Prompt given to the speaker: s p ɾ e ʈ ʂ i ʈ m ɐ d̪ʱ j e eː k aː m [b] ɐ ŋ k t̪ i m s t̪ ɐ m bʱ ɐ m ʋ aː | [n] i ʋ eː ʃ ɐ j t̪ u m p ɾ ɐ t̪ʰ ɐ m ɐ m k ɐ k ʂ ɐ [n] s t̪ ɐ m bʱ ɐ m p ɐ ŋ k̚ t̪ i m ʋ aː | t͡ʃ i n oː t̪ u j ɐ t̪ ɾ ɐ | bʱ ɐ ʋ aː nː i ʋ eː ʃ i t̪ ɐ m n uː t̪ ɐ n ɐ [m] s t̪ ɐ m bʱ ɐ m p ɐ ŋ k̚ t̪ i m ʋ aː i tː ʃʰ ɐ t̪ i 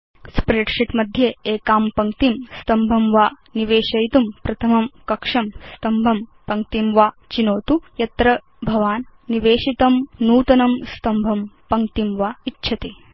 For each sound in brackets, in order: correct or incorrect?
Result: incorrect: p, correct, incorrect: m, correct

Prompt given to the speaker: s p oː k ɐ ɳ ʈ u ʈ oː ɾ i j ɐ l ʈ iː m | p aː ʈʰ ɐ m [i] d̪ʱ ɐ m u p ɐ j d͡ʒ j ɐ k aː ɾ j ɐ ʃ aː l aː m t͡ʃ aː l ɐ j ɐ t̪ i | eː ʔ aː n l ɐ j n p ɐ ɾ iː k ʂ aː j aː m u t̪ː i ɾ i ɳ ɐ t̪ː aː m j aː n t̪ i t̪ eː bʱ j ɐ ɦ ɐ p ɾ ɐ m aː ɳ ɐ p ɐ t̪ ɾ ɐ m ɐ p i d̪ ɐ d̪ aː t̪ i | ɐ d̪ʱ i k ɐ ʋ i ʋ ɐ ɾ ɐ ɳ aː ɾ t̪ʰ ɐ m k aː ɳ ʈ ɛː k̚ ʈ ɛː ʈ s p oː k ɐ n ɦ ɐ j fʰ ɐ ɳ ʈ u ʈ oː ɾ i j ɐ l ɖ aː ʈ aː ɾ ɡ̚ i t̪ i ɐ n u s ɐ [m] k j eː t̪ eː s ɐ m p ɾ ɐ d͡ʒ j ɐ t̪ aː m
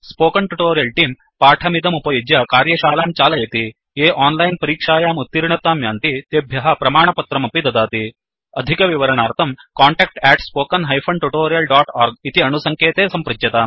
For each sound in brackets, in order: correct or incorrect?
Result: correct, incorrect: ŋ

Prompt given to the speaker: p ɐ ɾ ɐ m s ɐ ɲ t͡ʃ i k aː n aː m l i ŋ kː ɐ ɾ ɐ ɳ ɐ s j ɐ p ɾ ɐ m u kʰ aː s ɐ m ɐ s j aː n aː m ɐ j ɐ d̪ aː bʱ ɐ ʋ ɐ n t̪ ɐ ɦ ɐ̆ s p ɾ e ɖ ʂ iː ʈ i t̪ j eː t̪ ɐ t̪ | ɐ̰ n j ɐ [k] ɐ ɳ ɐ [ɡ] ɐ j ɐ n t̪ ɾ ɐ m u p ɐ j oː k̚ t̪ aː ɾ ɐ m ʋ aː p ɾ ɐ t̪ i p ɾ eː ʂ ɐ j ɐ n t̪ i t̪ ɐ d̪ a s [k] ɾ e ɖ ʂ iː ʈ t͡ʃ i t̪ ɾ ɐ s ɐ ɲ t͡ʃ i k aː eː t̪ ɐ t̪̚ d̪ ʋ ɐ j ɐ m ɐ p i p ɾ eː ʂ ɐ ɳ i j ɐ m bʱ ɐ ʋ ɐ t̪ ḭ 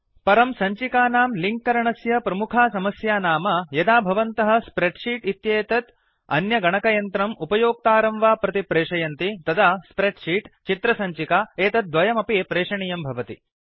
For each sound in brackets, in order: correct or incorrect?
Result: incorrect: ɡ, incorrect: k, incorrect: p

